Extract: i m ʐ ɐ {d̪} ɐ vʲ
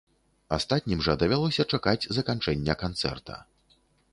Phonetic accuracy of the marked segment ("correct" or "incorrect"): correct